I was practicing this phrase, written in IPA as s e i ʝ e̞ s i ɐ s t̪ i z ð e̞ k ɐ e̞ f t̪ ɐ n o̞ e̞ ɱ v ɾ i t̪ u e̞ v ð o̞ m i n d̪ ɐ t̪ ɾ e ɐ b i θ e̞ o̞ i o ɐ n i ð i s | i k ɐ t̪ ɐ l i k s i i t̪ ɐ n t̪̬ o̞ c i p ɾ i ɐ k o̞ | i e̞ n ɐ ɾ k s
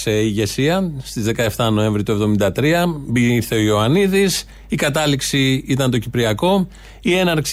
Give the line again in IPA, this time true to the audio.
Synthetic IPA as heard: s e i ʝ e̞ s i ɐ s t̪ i z ð e̞ k ɐ e̞ f t̪ ɐ n o̞ e̞ ɱ v ɾ i t̪ u e̞ v ð o̞ m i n d̪ ɐ t̪ ɾ i ɐ b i θ e̞ o̞ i o ɐ n i ð i s | i k ɐ t̪ ɐ l i k s i i t̪ ɐ n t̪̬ o̞ c i p ɾ i ɐ k o̞ | i e̞ n ɐ ɾ k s